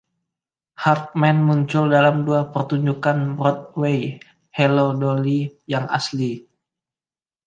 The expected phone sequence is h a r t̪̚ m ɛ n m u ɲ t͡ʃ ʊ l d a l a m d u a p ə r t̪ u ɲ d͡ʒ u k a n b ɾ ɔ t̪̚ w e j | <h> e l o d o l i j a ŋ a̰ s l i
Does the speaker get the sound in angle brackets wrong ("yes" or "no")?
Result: no